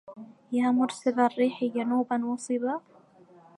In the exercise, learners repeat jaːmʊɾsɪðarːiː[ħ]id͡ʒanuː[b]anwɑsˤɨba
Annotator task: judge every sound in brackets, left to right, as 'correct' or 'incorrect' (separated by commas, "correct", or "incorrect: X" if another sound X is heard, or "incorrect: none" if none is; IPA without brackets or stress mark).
correct, correct